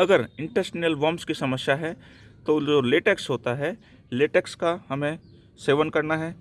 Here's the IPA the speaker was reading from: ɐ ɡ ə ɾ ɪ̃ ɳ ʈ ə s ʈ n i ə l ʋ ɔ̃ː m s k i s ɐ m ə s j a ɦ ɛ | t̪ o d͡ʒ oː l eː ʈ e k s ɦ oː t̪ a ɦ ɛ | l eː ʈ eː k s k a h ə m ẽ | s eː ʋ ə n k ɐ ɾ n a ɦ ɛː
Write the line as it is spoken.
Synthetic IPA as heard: ɐ ɡ ə ɾ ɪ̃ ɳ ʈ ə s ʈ n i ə l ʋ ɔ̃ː m s k i s ɐ m ə s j a ɦ ɛ | t̪ o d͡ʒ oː l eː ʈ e k s ɦ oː t̪ a ɦ ɛ | l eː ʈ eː k s k a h ɐ m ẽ | s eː ʋ ə n k ɐ ɾ n a ɦ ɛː